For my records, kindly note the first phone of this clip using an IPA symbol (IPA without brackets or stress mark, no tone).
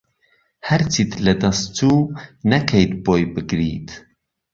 h